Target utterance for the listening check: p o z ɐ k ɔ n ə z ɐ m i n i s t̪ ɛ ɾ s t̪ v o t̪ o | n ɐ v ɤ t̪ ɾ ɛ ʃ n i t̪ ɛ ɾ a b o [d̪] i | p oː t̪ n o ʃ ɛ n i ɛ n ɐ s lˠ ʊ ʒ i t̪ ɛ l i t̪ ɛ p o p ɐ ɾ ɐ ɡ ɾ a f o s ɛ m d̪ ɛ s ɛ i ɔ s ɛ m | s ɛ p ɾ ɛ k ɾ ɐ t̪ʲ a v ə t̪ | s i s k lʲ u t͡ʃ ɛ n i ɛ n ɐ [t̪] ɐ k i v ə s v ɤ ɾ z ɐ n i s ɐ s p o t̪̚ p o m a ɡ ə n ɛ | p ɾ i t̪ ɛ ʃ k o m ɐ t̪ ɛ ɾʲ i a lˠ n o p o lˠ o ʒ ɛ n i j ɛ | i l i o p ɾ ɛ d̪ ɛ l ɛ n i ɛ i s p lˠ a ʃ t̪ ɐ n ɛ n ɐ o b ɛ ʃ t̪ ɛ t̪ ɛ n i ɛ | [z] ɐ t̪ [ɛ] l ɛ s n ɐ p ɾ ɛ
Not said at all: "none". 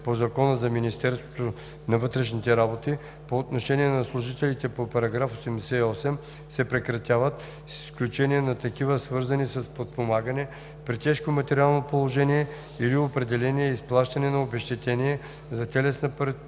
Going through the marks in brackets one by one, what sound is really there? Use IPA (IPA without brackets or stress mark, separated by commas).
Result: t̪, t̪, z, ɛ